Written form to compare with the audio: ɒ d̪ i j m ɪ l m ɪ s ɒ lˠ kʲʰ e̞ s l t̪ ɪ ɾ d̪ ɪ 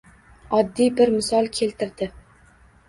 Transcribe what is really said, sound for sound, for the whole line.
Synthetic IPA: ɒ d̪ː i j b ɪ ɾ m ɪ s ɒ lˠ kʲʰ e̞ l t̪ ɪ ɾ d̪ ɪ